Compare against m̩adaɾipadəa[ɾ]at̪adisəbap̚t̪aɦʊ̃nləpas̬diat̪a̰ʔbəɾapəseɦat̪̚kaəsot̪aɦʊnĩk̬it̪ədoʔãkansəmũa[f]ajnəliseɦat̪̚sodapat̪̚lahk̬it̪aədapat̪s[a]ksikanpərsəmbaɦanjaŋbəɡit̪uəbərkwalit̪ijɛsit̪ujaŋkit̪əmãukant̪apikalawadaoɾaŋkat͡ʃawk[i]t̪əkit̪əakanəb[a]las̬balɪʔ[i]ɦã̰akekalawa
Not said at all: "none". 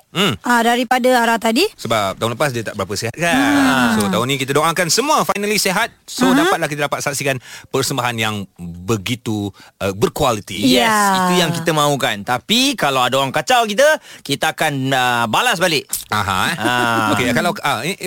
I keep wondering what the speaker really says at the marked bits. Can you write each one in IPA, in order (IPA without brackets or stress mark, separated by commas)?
ɾ, f, a, i, a, a